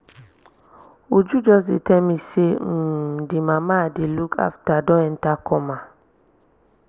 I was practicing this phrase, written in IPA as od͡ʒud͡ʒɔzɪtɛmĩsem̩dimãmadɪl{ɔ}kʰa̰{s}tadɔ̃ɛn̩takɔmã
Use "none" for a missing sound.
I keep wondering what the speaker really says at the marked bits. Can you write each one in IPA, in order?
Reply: u, f

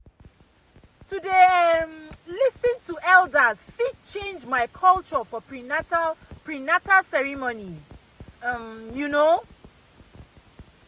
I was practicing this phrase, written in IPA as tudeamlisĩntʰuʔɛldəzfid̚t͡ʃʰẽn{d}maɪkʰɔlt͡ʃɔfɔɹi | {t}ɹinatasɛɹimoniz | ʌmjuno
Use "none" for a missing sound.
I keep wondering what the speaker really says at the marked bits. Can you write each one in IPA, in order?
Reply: d͡ʒ, p

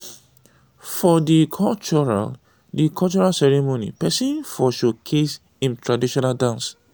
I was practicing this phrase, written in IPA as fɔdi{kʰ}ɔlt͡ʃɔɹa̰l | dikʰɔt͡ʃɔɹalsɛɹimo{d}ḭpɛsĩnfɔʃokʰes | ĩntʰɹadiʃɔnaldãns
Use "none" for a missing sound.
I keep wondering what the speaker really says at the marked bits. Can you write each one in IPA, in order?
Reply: kʰ, n

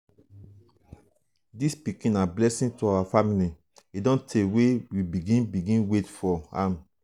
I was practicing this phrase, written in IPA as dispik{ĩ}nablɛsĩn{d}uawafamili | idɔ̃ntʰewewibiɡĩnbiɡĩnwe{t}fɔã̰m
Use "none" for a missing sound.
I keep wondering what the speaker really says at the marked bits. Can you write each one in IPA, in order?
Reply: ĩ, t, t

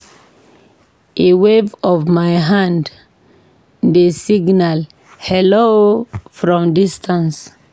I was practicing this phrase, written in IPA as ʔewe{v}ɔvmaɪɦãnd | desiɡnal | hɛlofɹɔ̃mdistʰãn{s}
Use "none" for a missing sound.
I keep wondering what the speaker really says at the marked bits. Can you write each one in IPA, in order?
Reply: v, s

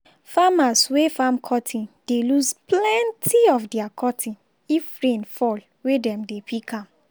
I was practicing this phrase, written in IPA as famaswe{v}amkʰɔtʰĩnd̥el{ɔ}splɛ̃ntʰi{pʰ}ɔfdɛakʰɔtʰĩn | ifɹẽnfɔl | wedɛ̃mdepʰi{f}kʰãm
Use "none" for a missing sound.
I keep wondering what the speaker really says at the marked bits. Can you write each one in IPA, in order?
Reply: f, u, none, none

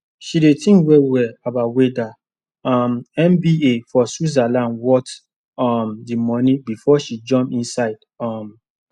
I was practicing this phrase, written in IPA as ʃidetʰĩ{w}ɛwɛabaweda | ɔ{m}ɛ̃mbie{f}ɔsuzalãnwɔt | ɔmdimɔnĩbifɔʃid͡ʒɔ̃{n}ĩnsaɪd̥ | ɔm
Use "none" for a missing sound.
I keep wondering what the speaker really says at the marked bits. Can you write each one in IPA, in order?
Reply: w, m, f, m

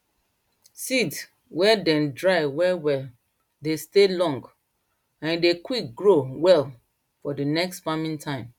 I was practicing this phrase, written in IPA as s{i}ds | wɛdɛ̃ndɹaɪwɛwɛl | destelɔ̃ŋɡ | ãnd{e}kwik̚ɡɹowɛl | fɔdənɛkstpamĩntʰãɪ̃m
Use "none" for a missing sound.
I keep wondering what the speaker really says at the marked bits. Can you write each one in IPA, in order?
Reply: i, e

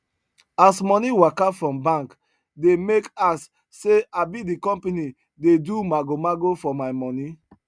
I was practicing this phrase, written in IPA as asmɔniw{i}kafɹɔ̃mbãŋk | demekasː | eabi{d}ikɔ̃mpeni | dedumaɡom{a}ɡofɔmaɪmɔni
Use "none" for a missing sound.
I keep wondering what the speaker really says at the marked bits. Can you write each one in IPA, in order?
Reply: a, d, a

